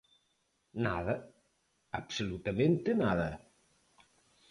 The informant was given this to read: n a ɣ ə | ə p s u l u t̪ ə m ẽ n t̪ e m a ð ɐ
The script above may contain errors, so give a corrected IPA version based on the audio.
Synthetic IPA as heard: n a ð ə | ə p s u l u t̪ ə m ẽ n t̪ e n a ð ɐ